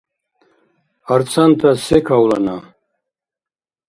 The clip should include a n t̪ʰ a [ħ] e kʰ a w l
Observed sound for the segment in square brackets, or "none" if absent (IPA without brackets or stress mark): s